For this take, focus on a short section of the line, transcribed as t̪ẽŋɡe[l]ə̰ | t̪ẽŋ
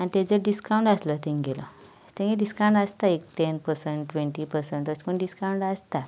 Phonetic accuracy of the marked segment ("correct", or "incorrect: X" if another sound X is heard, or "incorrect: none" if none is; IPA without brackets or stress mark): correct